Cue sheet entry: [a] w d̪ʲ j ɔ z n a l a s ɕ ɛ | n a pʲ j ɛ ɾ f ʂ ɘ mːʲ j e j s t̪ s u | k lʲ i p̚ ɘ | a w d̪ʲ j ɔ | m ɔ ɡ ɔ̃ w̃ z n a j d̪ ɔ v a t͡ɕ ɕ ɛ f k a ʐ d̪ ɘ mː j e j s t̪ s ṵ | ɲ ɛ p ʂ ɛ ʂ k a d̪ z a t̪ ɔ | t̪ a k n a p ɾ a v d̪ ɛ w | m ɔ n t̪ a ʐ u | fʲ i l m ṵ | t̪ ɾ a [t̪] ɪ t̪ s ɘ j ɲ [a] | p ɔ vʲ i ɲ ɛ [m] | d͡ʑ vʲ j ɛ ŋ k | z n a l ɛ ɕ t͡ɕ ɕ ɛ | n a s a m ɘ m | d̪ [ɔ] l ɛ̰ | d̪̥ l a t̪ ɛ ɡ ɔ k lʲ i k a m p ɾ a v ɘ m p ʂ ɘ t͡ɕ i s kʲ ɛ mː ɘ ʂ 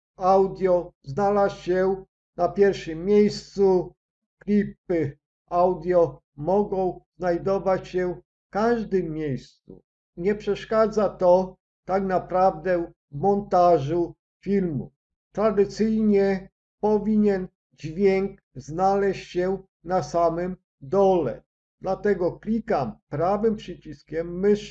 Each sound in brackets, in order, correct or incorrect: correct, incorrect: d̪, incorrect: ɛ, incorrect: n, correct

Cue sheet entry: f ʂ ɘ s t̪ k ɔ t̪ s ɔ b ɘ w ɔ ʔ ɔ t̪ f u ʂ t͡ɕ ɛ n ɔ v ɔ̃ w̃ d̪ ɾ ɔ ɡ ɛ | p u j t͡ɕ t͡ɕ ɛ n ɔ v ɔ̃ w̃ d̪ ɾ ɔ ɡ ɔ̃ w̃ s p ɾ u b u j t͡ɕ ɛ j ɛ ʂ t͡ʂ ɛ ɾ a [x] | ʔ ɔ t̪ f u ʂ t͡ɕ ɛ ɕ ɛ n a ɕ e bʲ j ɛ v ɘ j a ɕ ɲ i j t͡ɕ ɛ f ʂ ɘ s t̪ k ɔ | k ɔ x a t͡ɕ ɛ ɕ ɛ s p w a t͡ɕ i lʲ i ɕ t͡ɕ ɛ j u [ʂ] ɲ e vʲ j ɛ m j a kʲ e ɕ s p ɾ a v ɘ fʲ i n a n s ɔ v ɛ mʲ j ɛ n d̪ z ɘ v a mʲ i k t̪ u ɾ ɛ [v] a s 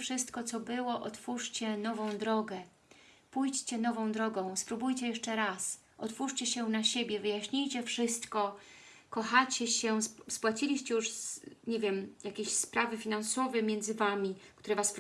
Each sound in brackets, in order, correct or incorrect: incorrect: s, correct, correct

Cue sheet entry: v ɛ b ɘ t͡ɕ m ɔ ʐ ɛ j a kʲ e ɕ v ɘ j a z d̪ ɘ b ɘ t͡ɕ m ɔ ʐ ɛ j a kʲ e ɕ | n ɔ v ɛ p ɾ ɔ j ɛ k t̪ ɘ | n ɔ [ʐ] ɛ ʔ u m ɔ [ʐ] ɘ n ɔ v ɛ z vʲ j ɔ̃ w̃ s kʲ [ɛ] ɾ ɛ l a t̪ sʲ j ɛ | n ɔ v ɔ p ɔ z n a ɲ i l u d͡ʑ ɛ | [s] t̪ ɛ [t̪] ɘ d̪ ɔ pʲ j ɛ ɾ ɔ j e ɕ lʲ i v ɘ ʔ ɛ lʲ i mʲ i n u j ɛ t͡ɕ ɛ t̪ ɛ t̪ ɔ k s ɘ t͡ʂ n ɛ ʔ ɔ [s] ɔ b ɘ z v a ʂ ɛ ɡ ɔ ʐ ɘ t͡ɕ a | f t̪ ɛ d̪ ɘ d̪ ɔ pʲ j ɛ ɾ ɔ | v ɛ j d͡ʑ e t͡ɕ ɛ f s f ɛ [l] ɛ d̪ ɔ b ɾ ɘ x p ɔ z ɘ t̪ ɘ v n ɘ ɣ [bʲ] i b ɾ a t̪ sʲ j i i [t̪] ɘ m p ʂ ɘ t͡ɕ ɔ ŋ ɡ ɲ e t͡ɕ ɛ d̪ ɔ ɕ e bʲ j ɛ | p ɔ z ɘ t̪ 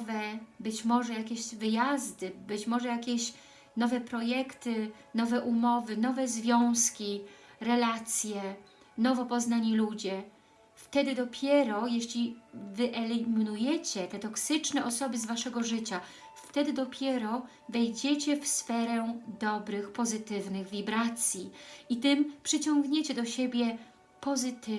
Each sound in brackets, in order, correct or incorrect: incorrect: v, incorrect: v, incorrect: i, incorrect: f, incorrect: d̪, correct, incorrect: ɾ, incorrect: vʲ, correct

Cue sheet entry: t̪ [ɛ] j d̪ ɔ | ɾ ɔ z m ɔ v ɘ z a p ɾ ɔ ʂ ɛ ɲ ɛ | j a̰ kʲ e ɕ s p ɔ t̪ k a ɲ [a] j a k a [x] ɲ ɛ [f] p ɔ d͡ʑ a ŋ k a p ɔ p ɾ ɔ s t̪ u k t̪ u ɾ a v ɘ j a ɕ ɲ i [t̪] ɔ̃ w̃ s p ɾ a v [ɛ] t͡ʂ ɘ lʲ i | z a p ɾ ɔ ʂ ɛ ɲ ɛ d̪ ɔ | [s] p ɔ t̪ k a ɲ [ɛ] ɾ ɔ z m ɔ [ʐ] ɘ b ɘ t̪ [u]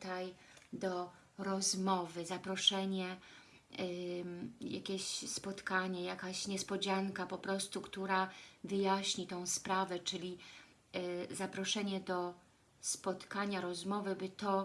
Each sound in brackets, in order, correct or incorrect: incorrect: a, incorrect: ɛ, incorrect: ɕ, incorrect: s, correct, correct, correct, incorrect: a, incorrect: v, incorrect: ɔ

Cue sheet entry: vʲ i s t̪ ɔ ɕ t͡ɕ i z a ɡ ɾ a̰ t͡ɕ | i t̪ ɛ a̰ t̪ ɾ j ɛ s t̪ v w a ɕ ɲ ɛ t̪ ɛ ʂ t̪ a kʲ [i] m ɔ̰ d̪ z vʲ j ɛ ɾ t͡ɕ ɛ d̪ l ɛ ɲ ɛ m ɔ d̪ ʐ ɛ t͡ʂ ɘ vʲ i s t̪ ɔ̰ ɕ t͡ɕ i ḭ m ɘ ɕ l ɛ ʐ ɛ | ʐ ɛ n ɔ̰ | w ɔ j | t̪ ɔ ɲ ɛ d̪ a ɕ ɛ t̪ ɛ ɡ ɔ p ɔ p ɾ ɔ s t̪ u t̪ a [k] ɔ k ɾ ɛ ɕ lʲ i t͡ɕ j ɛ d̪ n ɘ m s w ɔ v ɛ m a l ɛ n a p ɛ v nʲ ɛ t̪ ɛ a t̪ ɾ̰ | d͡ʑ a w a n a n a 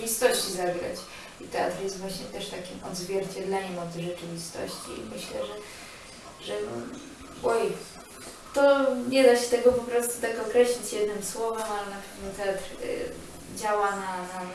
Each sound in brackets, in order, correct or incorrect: correct, correct

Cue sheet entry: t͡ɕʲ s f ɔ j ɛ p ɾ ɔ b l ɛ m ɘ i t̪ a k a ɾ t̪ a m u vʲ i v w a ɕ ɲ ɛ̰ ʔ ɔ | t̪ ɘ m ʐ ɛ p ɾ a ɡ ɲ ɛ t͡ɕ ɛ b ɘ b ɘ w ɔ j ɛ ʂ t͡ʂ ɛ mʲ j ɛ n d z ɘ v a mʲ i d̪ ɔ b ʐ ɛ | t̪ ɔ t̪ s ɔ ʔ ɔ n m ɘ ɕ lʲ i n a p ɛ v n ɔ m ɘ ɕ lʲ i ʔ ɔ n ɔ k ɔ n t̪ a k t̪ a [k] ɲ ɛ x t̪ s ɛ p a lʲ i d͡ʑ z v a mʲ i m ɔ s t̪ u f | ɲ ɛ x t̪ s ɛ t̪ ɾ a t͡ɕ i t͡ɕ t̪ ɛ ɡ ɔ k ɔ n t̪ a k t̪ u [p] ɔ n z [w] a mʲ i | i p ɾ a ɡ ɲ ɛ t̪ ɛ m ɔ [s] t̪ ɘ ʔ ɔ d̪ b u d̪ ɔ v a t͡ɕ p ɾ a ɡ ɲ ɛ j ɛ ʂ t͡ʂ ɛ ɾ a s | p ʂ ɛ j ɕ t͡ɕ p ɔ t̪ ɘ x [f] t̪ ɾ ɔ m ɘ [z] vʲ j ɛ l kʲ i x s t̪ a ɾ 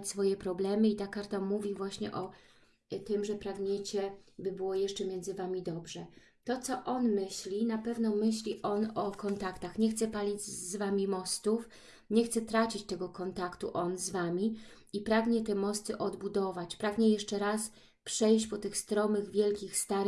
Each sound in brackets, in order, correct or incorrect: incorrect: x, incorrect: ʔ, incorrect: v, correct, incorrect: s, incorrect: ɣ

